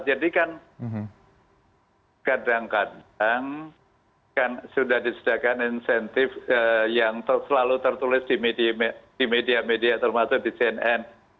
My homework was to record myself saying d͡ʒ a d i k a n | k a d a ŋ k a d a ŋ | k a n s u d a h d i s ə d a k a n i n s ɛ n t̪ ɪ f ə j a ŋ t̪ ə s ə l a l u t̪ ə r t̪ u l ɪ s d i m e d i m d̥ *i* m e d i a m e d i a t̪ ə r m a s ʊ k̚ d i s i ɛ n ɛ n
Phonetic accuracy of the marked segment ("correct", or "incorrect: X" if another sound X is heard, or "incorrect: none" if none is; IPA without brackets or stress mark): correct